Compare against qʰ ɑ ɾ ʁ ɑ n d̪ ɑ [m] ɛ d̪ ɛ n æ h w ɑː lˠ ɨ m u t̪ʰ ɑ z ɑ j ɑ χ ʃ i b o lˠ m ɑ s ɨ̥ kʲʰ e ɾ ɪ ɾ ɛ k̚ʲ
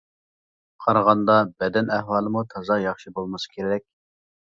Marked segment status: incorrect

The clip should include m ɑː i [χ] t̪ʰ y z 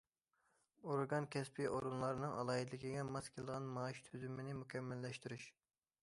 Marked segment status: incorrect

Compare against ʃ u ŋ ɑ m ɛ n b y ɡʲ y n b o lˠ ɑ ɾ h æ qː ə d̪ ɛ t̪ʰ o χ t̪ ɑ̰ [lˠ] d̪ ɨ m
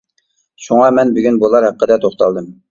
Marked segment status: correct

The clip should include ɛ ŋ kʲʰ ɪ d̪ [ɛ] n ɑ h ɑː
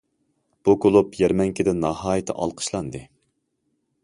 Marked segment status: correct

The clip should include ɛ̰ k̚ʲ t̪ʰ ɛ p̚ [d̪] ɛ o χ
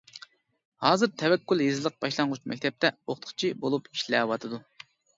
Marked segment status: incorrect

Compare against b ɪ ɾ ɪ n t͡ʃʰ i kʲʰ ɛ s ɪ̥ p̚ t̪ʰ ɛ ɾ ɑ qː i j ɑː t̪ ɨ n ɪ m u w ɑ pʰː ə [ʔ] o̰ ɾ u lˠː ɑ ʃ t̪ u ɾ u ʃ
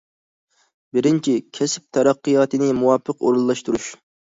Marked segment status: incorrect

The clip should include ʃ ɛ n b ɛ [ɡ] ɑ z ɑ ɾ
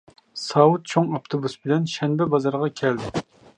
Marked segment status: incorrect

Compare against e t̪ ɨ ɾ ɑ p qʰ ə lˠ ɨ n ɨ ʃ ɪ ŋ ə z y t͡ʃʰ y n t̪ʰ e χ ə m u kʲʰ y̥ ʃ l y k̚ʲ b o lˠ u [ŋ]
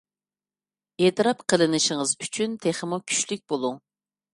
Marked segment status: correct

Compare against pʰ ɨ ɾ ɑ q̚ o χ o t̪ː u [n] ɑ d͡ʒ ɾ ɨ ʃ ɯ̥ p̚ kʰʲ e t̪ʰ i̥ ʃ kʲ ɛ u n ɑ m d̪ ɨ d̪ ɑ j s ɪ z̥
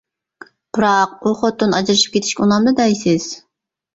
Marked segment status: correct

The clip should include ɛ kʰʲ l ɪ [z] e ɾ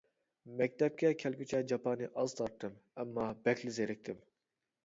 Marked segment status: correct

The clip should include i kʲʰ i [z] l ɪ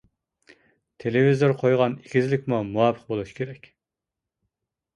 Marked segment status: correct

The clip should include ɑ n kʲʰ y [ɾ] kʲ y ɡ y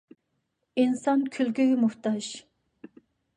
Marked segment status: incorrect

